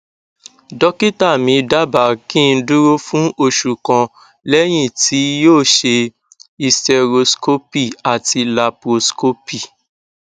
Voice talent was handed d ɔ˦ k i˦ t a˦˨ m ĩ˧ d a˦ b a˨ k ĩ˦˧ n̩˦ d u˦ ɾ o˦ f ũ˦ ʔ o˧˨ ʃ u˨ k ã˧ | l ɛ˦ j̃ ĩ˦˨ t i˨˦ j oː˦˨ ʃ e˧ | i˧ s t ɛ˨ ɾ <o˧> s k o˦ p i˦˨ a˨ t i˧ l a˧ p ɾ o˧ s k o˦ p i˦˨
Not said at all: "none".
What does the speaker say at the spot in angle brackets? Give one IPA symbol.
o˧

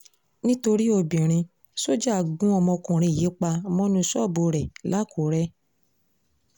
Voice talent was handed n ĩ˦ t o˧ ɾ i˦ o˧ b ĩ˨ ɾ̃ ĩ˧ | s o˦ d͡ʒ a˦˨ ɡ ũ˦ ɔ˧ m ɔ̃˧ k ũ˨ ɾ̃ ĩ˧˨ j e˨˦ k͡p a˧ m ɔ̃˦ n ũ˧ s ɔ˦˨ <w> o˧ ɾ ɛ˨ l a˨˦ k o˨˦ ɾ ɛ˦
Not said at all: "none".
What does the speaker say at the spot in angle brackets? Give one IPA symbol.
b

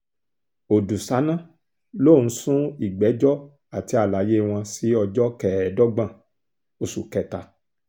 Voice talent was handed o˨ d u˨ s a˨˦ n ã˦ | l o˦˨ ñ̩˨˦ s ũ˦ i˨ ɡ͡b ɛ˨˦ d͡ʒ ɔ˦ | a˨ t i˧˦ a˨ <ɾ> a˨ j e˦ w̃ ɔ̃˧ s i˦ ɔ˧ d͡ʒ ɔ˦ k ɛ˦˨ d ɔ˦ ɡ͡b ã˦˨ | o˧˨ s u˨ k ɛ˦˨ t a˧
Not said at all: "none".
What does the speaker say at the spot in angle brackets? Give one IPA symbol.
l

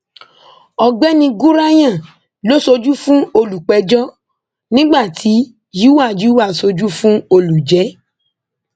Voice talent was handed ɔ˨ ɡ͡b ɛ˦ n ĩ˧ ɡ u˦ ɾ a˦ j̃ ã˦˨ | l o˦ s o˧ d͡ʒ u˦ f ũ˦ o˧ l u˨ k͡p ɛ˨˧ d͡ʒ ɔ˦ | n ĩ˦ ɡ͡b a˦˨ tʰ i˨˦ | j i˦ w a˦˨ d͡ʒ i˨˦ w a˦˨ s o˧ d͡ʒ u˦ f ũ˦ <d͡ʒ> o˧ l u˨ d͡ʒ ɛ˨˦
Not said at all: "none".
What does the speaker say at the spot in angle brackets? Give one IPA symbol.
none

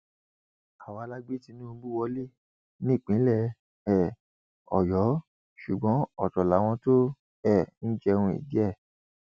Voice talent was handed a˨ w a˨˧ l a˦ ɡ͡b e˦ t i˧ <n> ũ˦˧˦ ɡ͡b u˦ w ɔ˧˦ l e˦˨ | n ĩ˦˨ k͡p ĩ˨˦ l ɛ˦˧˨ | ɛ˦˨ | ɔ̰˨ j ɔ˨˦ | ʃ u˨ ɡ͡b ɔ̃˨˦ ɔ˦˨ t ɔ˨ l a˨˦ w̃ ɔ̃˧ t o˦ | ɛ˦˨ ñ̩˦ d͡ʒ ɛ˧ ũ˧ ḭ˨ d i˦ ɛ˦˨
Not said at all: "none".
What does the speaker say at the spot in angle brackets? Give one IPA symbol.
n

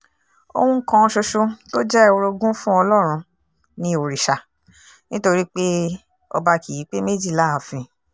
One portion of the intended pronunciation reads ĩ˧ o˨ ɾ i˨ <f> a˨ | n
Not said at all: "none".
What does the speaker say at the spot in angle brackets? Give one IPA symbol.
ʃ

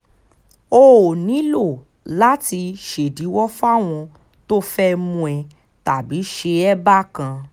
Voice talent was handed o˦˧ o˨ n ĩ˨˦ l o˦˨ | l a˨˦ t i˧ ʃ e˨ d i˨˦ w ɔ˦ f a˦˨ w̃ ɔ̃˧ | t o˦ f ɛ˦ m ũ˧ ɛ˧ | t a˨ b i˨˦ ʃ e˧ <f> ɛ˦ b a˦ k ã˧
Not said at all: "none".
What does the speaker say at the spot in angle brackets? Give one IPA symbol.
none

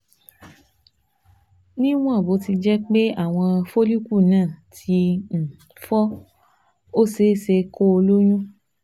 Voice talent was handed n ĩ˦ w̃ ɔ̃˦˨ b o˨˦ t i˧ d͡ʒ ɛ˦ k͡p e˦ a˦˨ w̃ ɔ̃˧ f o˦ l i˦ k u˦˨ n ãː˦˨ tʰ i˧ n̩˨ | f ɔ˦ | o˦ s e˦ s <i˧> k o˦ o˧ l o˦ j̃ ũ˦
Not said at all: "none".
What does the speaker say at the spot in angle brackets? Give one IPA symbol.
e˧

